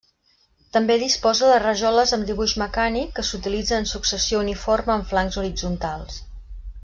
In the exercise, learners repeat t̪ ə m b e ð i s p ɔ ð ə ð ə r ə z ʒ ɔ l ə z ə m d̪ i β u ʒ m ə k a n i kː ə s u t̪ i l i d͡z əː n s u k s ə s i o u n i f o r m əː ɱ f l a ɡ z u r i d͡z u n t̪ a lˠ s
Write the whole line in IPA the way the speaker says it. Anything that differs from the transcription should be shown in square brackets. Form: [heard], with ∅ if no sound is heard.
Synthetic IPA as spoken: t̪ ə m b e ð i s p ɔ [z] ə ð ə r ə [∅] ʒ ɔ l ə z ə m d̪ i β u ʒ m ə k a n i kː ə s u t̪ i l i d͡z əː n s u k s ə s i o u n i f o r m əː ɱ f l a [ŋ] z u [ɾ] i d͡z u n t̪ a lˠ s